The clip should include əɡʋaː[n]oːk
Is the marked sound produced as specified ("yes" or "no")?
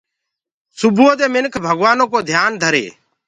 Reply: yes